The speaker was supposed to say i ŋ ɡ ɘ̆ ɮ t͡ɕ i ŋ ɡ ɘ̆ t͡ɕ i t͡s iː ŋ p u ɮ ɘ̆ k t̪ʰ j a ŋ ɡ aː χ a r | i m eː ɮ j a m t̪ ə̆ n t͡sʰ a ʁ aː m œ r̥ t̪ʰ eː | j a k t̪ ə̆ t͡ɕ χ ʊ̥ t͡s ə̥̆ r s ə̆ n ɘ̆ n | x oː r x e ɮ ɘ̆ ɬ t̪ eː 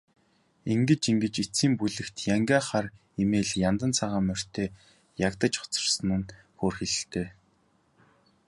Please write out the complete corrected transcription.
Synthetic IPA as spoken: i ŋ ɡ ɘ̆ t͡ɕ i ŋ ɡ ɘ̆ t͡ɕ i t͡s iː m p u ɮ ɘ̆ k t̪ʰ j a ŋ ɡ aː χ a r | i m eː ɮ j a n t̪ ə̆ n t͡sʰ a ʁ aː m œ r̥ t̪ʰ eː | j a k t̪ ə̆ t͡ɕ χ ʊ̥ t͡s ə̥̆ r s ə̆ n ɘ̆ n | x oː r x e ɮ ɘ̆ ɬ t̪ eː